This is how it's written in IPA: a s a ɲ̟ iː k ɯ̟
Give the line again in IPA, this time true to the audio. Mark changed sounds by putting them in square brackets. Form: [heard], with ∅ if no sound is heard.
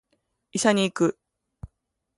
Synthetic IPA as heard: [i] s a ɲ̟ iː k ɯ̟